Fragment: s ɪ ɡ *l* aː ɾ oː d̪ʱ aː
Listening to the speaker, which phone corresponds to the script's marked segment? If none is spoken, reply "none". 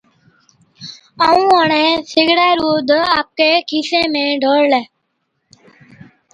ɽ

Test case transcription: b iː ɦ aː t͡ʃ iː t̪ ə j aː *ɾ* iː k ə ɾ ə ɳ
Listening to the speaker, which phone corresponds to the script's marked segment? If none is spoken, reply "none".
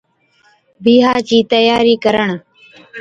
ɾ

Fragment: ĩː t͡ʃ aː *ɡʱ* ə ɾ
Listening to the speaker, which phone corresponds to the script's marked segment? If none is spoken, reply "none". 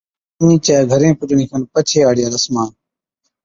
ɡʱ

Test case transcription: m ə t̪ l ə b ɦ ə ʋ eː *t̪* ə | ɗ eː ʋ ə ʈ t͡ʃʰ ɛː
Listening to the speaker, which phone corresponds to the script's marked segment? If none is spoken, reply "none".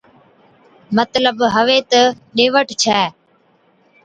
t̪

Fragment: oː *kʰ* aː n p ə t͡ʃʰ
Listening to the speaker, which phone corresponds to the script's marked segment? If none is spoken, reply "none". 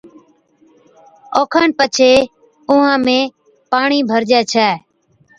kʰ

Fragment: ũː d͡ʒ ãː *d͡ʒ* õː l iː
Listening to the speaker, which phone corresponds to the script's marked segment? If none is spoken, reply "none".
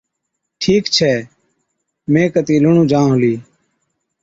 none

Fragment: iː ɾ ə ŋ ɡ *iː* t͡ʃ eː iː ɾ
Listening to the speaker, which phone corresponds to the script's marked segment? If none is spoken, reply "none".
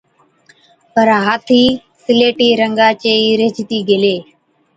aː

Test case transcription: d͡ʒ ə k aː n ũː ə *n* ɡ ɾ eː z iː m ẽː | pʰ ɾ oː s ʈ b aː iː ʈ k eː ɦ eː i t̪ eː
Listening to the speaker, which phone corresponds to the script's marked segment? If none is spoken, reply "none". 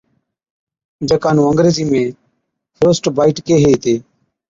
ŋ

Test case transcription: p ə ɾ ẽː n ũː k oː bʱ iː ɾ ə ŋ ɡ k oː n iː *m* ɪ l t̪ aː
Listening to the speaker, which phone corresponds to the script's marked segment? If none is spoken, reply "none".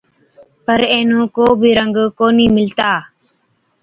m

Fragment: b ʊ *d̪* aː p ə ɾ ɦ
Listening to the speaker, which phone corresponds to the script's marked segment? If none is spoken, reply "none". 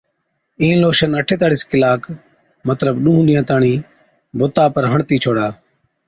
t̪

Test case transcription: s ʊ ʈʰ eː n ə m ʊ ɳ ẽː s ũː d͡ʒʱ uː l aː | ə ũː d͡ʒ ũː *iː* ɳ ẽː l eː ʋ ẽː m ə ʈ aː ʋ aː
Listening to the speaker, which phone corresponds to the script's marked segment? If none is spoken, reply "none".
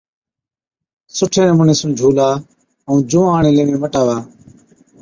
aː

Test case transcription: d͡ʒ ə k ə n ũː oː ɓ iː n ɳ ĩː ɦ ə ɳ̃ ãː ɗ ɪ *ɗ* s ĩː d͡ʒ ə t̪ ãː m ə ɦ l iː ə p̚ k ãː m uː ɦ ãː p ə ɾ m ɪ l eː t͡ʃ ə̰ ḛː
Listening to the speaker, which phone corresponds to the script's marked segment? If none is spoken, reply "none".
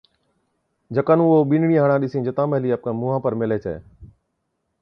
none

